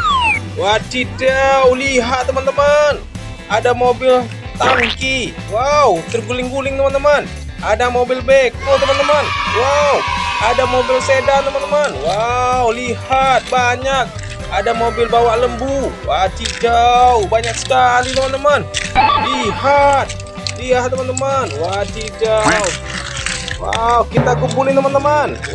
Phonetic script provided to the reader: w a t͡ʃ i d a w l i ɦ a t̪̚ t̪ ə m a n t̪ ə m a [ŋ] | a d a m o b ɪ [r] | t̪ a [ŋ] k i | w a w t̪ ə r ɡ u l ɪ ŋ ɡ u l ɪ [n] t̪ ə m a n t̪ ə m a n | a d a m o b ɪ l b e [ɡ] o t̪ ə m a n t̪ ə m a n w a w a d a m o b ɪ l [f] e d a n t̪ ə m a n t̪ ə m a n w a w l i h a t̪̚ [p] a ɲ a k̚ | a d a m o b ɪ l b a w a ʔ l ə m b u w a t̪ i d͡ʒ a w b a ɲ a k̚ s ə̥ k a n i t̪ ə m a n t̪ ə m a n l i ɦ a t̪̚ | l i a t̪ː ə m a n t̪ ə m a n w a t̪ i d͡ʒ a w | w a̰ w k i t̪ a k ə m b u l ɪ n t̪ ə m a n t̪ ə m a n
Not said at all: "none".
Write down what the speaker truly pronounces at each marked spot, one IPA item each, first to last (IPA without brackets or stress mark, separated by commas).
n, l, ŋ, ŋ, k, s, b